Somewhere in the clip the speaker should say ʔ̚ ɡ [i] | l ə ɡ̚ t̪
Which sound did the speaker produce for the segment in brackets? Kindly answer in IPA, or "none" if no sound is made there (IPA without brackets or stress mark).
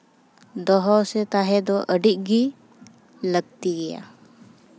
i